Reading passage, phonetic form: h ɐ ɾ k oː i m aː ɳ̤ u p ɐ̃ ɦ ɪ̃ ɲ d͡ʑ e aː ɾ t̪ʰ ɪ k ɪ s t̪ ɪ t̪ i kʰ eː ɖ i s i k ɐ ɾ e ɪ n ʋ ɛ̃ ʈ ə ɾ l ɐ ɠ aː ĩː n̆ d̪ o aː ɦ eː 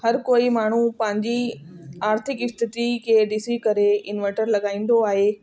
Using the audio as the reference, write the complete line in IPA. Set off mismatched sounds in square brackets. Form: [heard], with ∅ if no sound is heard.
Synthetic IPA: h ɐ ɾ k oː i m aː ɳ̤ u p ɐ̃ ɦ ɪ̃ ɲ d͡ʑ [i] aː ɾ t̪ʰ ɪ k ɪ s t̪ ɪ t̪ i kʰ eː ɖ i s i k ɐ ɾ e ɪ n ʋ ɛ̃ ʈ ə ɾ l ɐ ɠ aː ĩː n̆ d̪ o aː ɦ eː